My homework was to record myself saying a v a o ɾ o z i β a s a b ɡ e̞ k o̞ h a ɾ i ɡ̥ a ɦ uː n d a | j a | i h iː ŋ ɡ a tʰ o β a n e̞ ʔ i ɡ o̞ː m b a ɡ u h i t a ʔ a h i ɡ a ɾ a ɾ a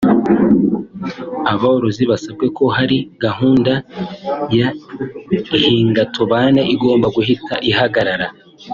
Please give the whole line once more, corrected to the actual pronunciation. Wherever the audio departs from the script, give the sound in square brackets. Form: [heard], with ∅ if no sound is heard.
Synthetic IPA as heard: a [β] a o ɾ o z i β a s a b ɡ e̞ k o̞ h a ɾ i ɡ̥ a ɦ uː n d a | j a | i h iː ŋ ɡ a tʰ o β a n e̞ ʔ i ɡ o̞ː m b a ɡ u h i t a ʔ [i] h [a] ɡ a ɾ a ɾ a